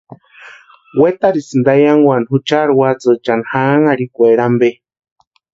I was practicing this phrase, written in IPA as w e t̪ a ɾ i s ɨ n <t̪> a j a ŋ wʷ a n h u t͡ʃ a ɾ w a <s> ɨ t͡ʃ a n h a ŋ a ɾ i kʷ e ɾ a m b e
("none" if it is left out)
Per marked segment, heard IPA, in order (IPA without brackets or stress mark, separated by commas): d̪, t͡s